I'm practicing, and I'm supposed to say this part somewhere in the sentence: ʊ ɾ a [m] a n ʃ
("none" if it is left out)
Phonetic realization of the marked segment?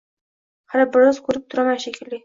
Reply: m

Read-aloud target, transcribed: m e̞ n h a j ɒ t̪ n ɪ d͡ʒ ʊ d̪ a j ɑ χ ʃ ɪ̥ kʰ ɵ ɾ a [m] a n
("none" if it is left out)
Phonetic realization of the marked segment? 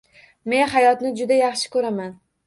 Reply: m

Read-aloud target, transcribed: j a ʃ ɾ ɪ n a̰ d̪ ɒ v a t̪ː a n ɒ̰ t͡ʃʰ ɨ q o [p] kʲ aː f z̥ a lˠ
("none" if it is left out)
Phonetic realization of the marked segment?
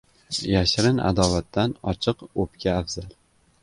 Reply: p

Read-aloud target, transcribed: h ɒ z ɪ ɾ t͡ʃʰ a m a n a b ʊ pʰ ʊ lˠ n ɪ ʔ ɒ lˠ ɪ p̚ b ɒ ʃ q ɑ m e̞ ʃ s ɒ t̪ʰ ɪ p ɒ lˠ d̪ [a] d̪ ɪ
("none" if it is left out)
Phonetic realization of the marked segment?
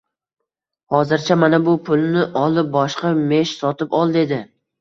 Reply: e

